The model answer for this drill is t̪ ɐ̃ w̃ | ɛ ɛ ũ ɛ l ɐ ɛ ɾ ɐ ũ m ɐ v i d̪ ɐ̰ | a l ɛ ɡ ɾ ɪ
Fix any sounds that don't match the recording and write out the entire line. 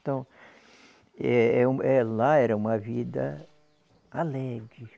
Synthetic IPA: t̪ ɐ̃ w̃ | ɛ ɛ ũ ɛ l a ɛ ɾ ɐ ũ m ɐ v i d̪ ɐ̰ | a l ɛ ɡ ɾ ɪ